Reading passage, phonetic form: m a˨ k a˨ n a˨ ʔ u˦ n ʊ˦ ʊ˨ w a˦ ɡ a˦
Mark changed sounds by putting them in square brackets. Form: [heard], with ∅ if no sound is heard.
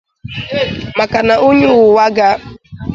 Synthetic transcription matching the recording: m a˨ k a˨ n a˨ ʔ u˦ [ɲ] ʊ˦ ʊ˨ w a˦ ɡ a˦

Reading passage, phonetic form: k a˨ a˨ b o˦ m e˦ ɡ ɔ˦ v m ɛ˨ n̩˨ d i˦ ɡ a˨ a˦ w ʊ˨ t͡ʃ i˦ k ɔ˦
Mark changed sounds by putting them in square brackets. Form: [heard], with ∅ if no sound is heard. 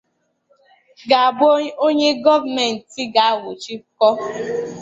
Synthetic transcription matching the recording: [ɡ] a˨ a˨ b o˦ [ɲ] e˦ ɡ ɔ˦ v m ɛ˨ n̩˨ [t] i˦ ɡ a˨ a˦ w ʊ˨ t͡ʃ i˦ k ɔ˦

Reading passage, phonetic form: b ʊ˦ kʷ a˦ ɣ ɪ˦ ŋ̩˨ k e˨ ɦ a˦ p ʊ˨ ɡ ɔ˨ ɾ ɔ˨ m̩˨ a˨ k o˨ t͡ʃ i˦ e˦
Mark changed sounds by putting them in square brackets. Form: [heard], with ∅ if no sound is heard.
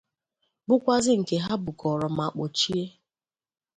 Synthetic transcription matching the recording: b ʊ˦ kʷ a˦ [z] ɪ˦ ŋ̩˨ k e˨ ɦ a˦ [b] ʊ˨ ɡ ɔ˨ ɾ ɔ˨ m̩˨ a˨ [k͡p] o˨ t͡ʃ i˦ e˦

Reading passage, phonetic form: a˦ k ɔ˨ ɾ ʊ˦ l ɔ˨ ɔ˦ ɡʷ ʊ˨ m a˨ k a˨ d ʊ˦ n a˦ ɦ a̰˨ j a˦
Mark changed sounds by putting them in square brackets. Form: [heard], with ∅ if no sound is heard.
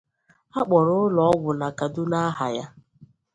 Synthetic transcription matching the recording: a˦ [k͡p] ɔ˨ ɾ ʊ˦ l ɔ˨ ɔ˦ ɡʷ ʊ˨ [n] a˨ k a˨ d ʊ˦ n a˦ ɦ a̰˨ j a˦

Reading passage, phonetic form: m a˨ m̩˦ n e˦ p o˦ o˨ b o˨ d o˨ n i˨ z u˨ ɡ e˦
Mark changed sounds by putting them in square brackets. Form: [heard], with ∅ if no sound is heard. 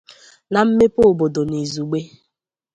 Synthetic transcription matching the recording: [n] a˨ m̩˦ [m] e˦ p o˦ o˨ b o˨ d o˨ n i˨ z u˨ [ɡ͡b] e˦

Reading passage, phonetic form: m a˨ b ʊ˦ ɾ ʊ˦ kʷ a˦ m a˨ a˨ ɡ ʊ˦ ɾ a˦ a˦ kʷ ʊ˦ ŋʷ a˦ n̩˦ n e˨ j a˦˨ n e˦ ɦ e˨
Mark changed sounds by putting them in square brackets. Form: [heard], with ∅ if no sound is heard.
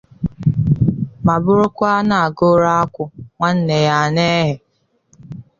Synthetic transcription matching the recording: m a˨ b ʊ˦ ɾ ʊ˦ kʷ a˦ [n] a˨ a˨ ɡ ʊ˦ ɾ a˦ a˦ kʷ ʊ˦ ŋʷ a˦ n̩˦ n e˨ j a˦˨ n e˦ ɦ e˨

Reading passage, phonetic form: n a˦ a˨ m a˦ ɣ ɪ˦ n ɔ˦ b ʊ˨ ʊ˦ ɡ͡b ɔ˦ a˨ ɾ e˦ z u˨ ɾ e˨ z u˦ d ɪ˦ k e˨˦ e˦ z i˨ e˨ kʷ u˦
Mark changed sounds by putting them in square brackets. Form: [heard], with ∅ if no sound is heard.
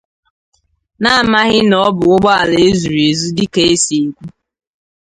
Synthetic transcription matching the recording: n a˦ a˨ m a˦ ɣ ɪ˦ n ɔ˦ b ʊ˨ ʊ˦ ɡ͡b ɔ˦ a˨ [l] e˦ z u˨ ɾ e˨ z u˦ d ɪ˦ k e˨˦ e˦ [s] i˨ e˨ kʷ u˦

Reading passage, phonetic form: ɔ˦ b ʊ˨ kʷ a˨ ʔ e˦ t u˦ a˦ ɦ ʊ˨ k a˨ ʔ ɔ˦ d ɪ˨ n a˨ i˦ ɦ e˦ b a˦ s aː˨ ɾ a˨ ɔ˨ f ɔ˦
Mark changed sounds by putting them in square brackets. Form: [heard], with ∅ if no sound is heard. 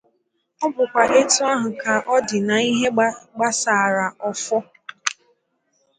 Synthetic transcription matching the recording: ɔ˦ b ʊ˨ kʷ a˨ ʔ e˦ t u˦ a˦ ɦ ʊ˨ k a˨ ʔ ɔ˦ d ɪ˨ n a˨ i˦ ɦ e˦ [ɡ͡b] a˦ s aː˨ ɾ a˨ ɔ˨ f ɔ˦

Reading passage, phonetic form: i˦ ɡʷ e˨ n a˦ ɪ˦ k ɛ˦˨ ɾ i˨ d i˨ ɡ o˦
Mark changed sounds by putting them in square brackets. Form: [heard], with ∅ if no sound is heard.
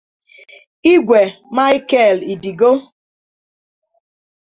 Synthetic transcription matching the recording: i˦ ɡʷ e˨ [m] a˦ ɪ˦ k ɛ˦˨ [l] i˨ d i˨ ɡ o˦

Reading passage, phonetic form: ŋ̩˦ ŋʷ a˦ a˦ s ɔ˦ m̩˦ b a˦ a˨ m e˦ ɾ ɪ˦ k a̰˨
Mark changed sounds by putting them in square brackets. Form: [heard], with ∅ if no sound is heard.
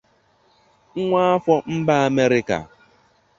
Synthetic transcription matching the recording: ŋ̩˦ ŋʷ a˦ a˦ [f] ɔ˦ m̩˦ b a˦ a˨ m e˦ ɾ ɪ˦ k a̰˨

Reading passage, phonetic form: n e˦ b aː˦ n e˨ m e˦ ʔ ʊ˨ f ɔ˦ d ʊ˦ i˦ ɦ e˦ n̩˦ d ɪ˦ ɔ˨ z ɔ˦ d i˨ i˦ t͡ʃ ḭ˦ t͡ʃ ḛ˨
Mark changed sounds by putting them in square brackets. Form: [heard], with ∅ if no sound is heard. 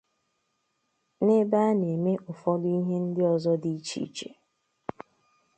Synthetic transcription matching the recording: n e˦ b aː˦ n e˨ m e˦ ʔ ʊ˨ f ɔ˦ d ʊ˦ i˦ ɦ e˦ n̩˦ d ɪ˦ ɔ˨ z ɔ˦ d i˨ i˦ t͡ʃ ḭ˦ t͡ʃ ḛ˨

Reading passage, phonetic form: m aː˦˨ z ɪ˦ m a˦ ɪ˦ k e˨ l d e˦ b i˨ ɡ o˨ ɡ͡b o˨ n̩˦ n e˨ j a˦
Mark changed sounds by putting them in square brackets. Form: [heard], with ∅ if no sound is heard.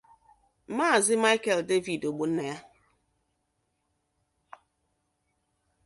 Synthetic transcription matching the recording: m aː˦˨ z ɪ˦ m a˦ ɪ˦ k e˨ l d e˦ [v] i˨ [d] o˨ ɡ͡b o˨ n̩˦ n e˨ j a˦

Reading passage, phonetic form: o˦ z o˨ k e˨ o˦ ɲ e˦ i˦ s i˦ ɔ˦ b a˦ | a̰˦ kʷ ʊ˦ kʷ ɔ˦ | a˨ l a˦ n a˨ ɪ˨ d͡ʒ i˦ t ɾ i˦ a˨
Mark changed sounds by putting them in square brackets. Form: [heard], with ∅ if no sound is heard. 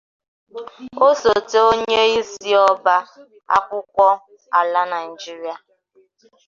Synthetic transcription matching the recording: o˦ [s] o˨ [t] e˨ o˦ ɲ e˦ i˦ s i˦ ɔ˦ b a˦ | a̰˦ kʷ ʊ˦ kʷ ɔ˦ | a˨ l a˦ n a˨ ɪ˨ d͡ʒ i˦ [∅] ɾ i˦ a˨

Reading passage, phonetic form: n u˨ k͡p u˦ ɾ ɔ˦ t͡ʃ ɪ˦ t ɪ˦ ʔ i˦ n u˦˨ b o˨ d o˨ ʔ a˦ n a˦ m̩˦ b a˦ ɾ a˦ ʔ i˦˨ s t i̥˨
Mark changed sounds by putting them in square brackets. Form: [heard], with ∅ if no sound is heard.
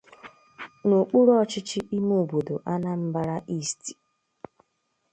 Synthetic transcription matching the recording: n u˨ k͡p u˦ ɾ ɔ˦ t͡ʃ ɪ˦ [t͡ʃ] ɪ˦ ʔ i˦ [m] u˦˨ b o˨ d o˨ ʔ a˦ n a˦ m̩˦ b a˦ ɾ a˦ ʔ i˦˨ s t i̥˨

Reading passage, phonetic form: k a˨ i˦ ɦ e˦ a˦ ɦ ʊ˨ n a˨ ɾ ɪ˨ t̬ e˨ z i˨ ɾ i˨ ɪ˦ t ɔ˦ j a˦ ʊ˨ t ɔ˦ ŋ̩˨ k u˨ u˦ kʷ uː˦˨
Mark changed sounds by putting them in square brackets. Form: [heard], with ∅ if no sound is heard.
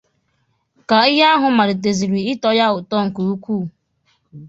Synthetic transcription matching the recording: k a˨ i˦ ɦ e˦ a˦ ɦ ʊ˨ [m] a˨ ɾ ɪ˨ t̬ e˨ z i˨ ɾ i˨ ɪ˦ t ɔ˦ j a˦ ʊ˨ t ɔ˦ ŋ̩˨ k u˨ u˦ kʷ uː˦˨

